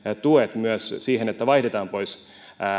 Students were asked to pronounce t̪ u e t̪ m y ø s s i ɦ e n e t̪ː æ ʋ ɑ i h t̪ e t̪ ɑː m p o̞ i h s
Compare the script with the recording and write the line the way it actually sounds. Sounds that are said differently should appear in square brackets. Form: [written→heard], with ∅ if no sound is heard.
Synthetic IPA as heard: t̪ u e t̪ m y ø s s [i→iː] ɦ e n e t̪ː æ ʋ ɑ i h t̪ e t̪ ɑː m p o̞ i [h→∅] s